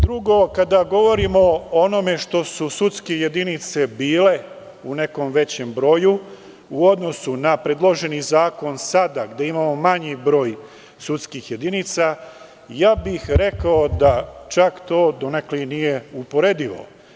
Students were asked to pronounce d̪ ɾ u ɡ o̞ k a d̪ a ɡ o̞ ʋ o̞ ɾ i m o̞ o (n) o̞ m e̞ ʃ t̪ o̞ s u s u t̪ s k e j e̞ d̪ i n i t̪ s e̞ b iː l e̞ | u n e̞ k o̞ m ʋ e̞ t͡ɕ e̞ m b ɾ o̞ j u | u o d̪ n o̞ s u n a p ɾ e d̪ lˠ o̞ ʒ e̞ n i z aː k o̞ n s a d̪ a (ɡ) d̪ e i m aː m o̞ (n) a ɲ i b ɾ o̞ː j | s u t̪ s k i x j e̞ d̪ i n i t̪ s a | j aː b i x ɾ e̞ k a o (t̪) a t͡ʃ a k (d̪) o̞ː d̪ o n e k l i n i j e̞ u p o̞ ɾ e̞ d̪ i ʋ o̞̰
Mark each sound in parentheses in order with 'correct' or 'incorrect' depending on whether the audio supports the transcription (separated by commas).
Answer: correct, correct, incorrect, incorrect, incorrect